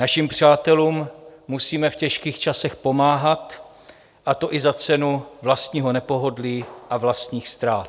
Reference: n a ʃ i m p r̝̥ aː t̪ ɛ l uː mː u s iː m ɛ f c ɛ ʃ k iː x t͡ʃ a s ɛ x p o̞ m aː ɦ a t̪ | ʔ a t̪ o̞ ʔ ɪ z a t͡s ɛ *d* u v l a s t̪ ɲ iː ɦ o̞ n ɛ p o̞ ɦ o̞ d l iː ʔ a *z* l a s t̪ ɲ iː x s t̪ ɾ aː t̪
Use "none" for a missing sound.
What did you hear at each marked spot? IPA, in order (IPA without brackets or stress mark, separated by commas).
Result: n, v